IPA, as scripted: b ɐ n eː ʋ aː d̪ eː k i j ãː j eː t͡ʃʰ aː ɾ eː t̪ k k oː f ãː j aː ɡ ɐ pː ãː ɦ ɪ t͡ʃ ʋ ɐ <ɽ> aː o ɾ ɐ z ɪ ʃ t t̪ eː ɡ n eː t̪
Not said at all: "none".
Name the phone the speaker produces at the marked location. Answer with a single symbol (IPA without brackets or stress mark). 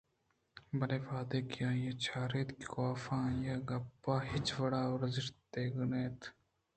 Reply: ɽ